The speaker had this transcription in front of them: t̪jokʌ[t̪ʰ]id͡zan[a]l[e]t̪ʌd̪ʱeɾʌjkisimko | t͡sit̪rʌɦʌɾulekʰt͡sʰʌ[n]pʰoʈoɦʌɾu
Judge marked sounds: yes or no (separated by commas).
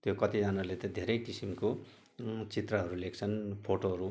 no, yes, yes, yes